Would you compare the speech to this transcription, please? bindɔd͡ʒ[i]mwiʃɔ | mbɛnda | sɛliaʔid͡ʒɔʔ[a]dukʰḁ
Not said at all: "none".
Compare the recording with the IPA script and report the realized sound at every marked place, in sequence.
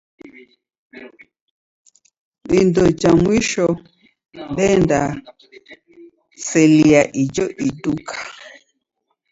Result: a, i

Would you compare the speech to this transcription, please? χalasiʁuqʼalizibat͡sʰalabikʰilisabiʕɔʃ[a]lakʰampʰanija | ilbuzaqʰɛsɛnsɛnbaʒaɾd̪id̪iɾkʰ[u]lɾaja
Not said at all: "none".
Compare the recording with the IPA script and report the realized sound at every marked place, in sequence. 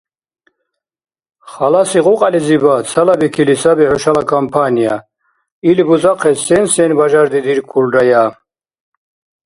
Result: a, u

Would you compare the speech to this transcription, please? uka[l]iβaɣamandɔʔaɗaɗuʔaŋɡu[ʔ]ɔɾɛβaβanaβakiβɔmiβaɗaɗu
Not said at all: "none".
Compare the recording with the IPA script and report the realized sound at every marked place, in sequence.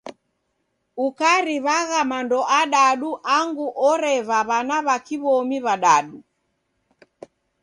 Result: ɾ, ʔ

